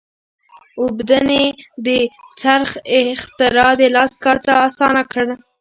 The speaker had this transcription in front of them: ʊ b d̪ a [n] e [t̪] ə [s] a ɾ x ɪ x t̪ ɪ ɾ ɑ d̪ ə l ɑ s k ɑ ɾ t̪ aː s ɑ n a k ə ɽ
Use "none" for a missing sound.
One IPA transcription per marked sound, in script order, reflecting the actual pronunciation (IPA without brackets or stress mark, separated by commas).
n, d̪, t͡s